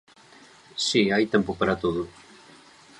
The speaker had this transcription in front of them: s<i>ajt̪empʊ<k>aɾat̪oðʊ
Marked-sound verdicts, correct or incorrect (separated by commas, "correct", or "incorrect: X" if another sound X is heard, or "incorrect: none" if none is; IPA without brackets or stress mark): correct, incorrect: p